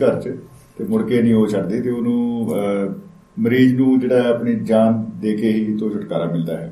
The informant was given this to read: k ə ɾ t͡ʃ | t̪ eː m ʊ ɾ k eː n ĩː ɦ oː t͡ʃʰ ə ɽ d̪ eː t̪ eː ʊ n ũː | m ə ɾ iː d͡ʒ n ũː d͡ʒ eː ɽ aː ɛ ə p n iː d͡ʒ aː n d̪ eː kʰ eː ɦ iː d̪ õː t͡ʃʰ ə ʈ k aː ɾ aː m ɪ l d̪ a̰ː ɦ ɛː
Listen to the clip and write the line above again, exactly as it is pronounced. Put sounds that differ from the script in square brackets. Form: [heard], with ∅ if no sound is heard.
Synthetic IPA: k ə ɾ t͡ʃ | t̪ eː m ʊ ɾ k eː n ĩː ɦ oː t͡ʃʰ ə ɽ d̪ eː t̪ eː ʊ n ũː | m ə ɾ iː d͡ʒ n ũː d͡ʒ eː ɽ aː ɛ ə p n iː d͡ʒ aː n d̪ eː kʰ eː ɦ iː [t̪] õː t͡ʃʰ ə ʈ k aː ɾ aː m ɪ l d̪ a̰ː ɦ ɛː